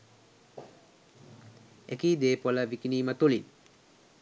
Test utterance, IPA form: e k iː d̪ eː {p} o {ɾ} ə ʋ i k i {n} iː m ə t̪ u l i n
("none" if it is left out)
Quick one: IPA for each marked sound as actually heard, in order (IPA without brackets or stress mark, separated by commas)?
p, l, n